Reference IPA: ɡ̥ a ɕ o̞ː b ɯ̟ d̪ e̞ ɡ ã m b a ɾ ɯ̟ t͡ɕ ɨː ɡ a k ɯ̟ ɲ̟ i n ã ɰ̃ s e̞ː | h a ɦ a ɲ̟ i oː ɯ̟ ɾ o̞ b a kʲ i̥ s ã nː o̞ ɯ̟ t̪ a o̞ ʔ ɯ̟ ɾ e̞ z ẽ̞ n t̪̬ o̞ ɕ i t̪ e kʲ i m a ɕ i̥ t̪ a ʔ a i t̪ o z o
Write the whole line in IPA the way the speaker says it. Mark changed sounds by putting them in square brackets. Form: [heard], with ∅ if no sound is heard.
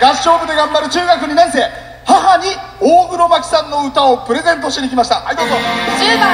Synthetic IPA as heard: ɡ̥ a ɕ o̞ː b ɯ̟ d̪ e̞ ɡ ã m b a ɾ ɯ̟ t͡ɕ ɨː ɡ a k ɯ̟ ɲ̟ i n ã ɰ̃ s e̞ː | h a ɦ a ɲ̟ i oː ɯ̟ ɾ o̞ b a kʲ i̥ s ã nː o̞ ɯ̟ t̪ a o̞ [p] ɯ̟ ɾ e̞ z ẽ̞ n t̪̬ o̞ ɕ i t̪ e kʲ i m a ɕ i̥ t̪ a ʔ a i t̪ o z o